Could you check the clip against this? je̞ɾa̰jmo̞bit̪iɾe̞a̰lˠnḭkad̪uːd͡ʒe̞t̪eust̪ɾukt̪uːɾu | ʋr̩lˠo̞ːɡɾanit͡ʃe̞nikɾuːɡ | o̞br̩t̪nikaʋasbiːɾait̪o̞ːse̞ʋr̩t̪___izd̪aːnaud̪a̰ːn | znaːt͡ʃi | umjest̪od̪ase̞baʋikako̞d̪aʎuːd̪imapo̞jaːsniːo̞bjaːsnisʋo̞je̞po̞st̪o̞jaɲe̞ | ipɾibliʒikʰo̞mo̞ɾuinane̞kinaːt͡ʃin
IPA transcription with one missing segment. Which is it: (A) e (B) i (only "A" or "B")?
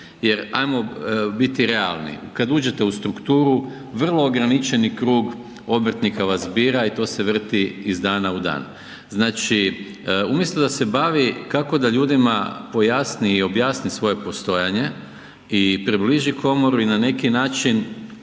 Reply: B